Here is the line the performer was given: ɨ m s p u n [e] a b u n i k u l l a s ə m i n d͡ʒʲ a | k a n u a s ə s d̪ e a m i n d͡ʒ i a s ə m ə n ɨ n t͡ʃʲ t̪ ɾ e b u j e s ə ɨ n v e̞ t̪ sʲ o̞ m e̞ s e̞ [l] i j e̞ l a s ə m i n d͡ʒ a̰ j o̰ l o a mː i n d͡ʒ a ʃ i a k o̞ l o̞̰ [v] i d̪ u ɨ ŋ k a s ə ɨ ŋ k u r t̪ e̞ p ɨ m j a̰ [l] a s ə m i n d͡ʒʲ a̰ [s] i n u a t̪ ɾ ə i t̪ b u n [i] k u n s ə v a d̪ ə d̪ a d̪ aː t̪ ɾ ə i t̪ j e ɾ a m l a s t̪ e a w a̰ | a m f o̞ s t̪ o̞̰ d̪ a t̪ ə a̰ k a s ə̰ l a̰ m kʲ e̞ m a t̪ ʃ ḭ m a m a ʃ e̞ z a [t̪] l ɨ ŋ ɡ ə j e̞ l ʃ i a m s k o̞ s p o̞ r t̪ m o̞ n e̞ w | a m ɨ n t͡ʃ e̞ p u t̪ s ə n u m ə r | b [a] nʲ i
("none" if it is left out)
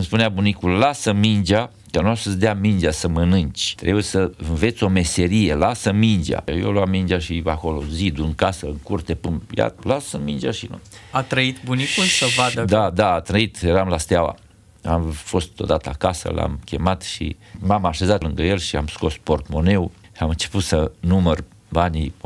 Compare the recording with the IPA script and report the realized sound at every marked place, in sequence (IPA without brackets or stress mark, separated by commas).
e, ɾ, z, l, ʃ, i, t̪, a